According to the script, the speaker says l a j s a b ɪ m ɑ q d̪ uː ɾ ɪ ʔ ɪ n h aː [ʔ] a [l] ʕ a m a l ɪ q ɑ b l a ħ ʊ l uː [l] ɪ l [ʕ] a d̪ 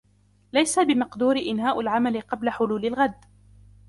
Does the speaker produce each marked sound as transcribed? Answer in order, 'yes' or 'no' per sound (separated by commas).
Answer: yes, yes, yes, no